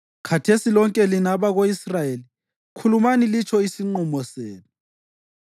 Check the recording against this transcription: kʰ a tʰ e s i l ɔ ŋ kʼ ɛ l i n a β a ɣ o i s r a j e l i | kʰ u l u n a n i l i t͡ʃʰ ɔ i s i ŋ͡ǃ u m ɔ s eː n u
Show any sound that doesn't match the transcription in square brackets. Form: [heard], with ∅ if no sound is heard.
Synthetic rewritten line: kʰ a tʰ e s i l ɔ ŋ kʼ ɛ l i n a β a ɣ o i s r a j e l i | kʰ u l u [m] a n i l i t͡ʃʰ ɔ i s i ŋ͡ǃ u m ɔ s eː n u